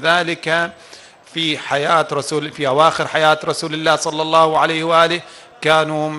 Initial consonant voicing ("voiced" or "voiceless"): voiced